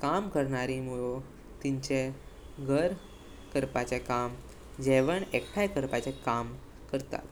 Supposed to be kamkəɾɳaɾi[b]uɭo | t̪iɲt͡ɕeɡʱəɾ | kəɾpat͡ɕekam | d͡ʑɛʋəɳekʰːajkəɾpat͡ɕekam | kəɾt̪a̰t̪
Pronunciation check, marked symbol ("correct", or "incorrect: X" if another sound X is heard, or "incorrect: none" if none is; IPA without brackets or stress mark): incorrect: m